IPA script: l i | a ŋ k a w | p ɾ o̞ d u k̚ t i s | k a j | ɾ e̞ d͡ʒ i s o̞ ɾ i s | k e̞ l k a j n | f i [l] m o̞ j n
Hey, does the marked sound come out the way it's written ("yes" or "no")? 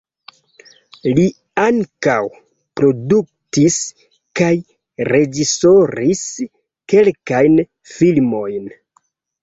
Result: yes